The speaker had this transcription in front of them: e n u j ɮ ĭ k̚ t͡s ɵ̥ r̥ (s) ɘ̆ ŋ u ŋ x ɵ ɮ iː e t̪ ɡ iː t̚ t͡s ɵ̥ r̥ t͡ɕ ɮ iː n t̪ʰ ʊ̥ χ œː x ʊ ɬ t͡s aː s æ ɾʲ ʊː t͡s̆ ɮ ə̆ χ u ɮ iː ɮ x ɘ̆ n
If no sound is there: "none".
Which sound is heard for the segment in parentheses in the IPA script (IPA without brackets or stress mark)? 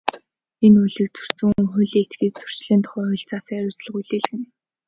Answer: t͡s